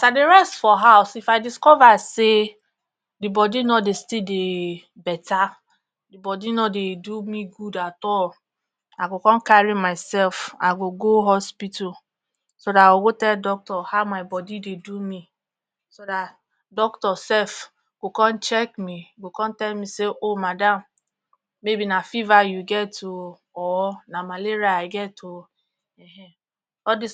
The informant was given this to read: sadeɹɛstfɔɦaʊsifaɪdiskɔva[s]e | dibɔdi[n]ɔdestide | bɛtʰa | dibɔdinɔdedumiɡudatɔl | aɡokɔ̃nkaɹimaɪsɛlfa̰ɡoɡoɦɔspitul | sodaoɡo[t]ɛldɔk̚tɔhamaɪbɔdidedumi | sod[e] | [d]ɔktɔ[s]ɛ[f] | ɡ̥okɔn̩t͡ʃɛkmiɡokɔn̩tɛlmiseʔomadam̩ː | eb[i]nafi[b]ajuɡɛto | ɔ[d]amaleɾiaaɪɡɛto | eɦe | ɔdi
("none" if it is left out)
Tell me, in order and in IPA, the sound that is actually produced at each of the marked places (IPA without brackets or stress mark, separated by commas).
s, n, t, a, d, s, f, i, v, n